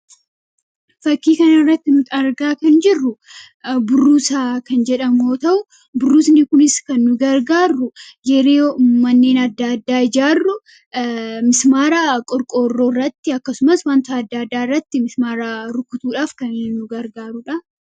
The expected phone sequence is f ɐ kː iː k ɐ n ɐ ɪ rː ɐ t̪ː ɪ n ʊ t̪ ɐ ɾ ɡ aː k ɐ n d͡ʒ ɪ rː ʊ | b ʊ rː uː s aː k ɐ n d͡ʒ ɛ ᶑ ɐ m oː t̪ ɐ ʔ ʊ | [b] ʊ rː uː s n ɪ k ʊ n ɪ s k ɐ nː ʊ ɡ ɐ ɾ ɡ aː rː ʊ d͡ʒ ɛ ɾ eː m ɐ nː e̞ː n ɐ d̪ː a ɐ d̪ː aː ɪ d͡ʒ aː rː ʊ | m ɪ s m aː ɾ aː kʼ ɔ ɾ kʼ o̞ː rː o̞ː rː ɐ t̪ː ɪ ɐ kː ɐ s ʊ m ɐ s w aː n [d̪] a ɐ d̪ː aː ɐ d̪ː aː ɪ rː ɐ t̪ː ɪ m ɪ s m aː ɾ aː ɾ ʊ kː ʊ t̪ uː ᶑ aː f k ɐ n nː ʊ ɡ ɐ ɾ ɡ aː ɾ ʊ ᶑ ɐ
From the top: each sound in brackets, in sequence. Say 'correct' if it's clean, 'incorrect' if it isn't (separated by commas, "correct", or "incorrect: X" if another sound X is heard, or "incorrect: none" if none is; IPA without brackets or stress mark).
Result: correct, incorrect: t̪